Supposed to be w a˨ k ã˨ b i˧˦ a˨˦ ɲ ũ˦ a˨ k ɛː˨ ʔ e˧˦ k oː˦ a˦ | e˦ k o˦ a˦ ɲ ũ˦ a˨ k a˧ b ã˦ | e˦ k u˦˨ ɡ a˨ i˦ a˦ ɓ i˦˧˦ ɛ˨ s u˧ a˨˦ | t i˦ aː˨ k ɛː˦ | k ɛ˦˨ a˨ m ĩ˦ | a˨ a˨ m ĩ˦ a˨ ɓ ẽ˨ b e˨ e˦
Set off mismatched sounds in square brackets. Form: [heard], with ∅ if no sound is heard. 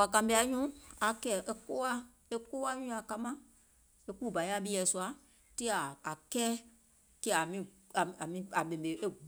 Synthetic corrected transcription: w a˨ k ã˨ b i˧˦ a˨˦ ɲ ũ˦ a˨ k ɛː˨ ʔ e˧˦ k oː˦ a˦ | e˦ k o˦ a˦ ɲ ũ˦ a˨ k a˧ [m] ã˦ | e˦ k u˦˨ [b] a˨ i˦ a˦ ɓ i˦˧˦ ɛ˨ s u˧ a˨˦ | t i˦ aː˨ k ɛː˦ | k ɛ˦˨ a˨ m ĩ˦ | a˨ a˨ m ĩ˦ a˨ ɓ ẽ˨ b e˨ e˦